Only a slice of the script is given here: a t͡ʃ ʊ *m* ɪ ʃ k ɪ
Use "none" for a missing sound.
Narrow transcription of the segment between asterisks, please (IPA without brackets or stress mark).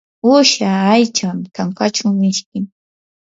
m